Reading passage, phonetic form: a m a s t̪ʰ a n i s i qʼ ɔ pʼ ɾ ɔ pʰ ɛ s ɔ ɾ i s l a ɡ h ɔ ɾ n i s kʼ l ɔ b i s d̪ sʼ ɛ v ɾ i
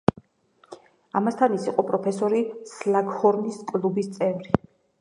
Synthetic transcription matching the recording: a m a s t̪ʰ a n i s i qʼ ɔ pʼ ɾ ɔ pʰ ɛ s ɔ ɾ i s l a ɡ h ɔ ɾ n i s kʼ l u b i s t̪ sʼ ɛ v ɾ i